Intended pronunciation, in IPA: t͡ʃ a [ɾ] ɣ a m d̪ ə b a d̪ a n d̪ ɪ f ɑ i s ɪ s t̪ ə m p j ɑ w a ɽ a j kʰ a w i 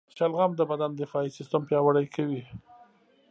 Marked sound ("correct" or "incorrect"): incorrect